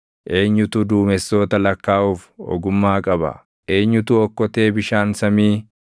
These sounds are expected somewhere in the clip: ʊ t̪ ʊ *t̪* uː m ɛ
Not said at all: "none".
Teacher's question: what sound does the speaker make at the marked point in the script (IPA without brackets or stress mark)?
d̪